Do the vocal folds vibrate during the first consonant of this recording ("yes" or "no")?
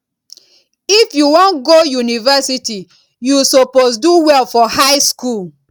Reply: no